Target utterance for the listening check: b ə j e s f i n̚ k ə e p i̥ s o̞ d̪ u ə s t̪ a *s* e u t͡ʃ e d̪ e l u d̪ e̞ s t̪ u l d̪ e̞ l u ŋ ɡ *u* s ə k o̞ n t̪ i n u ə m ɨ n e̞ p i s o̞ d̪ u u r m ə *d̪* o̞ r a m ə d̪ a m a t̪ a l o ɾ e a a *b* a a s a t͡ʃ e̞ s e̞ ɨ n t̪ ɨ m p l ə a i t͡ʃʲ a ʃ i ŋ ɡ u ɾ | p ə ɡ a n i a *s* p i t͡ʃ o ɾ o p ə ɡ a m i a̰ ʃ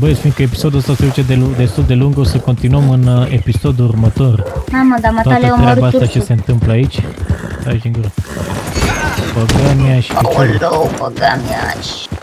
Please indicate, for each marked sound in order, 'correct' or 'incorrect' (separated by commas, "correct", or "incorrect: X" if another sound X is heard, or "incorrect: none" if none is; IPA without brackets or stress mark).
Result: correct, incorrect: o, incorrect: t̪, correct, incorrect: ʃ